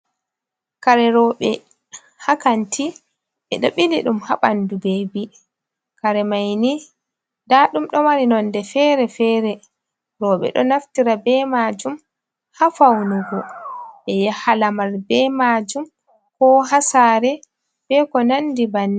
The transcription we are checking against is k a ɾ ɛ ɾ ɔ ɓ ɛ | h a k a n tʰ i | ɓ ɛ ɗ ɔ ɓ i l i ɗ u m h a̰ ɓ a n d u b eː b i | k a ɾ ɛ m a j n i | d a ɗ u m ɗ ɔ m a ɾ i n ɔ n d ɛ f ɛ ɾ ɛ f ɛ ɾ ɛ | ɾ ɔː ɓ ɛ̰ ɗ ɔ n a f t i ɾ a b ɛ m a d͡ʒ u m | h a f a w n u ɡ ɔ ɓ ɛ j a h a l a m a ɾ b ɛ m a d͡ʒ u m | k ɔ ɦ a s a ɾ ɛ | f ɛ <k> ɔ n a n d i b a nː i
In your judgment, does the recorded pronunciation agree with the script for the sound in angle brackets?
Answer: yes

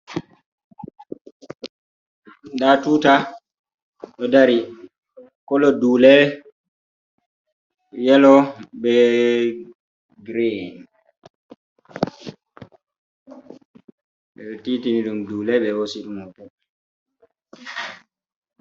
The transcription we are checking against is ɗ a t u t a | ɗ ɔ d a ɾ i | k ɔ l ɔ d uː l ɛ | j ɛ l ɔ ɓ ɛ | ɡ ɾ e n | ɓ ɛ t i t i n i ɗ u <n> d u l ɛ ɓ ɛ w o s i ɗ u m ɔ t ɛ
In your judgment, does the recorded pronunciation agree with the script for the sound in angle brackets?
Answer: no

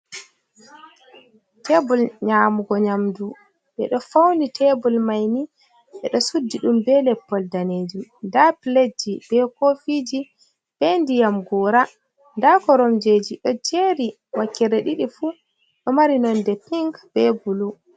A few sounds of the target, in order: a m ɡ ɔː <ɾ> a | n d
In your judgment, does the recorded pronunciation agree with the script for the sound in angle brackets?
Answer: yes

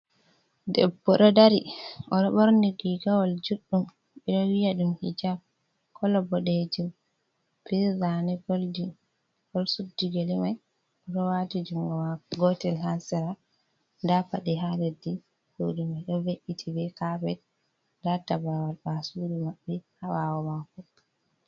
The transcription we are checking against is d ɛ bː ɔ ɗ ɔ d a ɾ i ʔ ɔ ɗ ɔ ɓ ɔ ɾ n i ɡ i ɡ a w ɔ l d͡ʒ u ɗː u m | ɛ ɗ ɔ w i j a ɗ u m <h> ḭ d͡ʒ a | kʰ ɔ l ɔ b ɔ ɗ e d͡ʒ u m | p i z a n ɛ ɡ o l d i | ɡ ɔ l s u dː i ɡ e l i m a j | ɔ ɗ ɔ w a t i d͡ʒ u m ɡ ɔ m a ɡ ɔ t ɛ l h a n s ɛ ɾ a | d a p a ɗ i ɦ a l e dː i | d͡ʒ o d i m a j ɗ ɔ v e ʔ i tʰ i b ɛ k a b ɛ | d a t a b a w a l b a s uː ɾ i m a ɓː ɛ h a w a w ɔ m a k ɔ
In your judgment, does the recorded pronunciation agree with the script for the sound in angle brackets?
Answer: yes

